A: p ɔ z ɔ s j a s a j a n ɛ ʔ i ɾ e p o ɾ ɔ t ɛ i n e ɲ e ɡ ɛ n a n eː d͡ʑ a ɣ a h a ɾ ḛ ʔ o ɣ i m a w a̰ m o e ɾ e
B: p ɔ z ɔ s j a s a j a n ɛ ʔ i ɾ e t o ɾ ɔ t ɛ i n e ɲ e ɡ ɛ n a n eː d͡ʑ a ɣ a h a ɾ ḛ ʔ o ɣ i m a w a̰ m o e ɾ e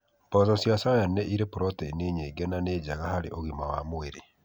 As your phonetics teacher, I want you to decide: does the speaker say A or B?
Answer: A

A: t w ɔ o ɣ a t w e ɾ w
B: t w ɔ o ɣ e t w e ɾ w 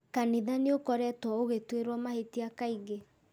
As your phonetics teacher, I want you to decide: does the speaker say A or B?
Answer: B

